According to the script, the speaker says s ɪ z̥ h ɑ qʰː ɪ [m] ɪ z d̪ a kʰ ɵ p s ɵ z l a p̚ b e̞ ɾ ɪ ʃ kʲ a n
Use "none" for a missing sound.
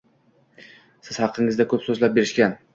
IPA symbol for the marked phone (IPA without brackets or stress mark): ŋ